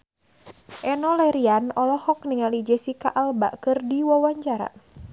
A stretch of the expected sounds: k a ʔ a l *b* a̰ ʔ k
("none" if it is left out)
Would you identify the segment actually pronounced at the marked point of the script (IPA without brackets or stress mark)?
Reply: b